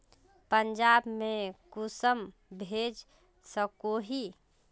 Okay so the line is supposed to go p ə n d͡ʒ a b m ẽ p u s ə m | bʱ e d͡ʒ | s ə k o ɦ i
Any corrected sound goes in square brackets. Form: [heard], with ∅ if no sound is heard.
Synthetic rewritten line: p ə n d͡ʒ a b m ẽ [k] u s ə m | bʱ e d͡ʒ | s ə k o ɦ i